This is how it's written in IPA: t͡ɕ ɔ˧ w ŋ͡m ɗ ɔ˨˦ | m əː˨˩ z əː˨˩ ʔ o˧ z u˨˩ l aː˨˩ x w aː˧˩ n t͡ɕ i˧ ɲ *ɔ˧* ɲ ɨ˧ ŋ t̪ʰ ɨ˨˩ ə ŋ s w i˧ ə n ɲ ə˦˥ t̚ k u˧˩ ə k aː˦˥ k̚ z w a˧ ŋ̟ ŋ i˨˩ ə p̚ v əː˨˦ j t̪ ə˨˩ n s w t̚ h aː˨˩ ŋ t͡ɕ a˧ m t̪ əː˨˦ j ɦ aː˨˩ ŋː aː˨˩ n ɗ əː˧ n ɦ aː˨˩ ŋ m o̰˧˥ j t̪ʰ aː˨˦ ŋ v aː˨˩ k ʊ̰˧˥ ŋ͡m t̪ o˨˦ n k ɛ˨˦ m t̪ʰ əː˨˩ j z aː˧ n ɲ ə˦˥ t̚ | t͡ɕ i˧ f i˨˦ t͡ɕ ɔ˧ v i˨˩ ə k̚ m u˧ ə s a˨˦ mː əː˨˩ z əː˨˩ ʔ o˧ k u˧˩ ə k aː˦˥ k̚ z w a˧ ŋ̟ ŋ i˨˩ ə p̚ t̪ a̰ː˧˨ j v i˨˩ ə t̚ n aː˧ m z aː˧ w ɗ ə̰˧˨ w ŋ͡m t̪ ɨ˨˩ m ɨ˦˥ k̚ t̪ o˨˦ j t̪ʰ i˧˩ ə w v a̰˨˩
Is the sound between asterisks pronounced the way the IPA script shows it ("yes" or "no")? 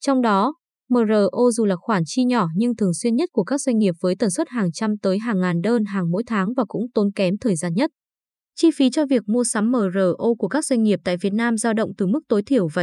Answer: no